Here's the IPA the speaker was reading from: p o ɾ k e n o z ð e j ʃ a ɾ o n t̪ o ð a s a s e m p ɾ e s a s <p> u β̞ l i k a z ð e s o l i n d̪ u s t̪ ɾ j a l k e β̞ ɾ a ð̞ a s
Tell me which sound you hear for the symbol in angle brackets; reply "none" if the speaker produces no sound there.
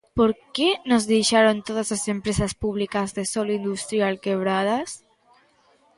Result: p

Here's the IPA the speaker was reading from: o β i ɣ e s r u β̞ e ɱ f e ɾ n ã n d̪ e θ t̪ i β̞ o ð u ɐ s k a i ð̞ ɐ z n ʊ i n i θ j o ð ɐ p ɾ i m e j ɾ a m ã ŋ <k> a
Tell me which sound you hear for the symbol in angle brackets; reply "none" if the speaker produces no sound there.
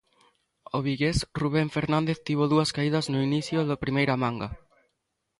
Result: ɡ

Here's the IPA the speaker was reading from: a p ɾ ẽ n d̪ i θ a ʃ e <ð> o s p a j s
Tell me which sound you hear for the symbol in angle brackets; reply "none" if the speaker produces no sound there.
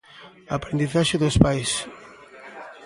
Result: ð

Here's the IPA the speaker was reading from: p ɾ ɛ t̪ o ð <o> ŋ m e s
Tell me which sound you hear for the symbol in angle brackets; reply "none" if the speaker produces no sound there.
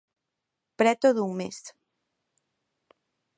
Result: u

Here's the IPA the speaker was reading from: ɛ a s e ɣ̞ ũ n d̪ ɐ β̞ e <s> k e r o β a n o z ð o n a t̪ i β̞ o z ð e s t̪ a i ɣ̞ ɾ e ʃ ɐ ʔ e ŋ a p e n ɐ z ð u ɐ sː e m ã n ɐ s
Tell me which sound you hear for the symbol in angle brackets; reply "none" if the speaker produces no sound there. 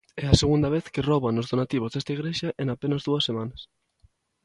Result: θ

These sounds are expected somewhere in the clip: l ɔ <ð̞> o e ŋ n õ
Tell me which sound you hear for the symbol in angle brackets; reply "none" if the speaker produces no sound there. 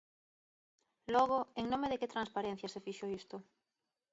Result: ɣ̞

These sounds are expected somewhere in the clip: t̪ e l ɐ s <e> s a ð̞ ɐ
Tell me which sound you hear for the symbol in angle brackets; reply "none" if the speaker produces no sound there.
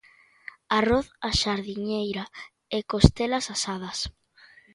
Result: a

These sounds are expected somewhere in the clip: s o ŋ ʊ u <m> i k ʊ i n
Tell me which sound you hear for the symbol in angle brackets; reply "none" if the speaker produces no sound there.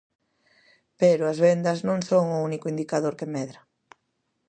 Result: n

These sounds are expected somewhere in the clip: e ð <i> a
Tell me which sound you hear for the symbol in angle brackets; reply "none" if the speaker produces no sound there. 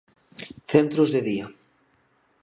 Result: i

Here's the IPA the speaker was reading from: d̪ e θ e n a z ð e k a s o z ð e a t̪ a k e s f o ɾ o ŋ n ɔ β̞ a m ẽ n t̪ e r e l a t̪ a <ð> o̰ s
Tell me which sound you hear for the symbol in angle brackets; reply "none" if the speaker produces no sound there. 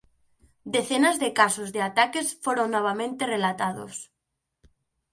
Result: ð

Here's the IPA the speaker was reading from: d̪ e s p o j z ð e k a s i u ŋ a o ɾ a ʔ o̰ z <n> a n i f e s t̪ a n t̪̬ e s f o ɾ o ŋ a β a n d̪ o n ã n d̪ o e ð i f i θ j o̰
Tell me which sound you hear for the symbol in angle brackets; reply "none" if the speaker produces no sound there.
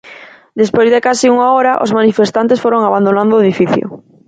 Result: m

